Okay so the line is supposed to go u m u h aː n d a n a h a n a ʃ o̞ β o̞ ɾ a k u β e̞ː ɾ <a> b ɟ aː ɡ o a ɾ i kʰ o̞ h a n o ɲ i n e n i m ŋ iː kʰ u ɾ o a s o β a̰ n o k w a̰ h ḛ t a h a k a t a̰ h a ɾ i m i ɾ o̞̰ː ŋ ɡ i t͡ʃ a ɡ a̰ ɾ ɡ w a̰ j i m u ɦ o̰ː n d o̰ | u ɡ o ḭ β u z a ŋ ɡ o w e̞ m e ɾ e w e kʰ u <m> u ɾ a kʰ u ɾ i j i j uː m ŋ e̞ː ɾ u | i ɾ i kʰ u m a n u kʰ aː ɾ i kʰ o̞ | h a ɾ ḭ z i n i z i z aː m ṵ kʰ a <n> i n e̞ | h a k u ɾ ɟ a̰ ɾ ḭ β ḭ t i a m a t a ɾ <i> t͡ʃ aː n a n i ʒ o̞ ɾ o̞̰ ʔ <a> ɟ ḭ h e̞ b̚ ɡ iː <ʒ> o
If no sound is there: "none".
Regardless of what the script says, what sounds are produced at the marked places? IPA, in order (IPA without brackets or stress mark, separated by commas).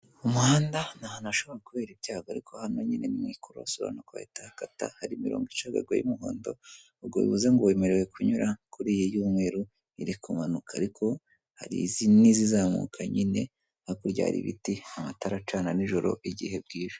i, ɲ, ɲ, a, i, ʒ